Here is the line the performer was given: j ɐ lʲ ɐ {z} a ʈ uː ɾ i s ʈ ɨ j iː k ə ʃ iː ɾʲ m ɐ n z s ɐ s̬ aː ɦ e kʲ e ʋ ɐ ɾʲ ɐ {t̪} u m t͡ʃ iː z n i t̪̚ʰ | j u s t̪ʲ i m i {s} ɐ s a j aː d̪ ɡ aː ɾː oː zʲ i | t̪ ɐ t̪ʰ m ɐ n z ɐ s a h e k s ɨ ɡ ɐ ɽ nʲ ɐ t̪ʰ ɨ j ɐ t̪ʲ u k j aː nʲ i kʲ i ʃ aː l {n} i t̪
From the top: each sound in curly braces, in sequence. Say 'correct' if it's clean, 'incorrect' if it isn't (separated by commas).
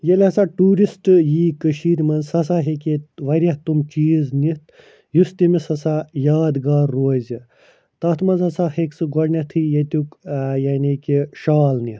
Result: incorrect, correct, correct, correct